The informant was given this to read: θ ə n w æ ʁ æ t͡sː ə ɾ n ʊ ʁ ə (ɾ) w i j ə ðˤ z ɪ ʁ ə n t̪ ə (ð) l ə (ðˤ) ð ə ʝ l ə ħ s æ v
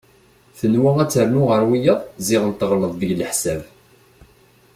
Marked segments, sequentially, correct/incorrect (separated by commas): correct, incorrect, correct